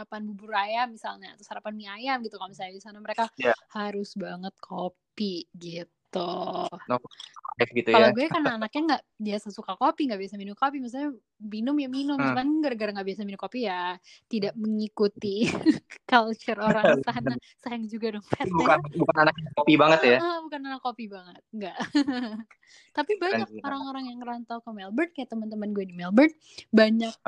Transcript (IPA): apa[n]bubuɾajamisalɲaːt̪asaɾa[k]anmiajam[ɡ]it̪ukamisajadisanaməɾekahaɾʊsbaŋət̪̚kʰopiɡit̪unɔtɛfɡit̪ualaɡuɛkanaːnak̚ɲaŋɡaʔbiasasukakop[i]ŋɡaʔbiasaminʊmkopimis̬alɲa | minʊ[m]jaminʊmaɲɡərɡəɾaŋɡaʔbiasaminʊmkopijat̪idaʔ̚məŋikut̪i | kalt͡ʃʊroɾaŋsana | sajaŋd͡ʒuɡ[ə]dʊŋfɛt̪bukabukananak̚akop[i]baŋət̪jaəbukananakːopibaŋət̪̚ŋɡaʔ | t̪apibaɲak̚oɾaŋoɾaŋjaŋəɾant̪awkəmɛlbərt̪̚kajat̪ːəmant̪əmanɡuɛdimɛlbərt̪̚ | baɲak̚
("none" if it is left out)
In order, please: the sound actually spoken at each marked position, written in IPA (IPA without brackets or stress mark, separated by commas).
n, p, ɡ, i, m, a, i